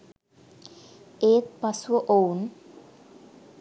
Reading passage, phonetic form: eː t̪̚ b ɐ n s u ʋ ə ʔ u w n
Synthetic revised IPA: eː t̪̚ p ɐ s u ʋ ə ʔ o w n